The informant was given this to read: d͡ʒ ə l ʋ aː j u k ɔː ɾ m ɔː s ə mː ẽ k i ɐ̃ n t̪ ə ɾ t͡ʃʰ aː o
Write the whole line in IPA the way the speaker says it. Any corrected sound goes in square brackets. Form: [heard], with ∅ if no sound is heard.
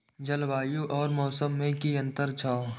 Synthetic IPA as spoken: d͡ʒ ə l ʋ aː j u [ʔ] ɔː ɾ m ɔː s ə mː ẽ k i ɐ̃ n t̪ ə ɾ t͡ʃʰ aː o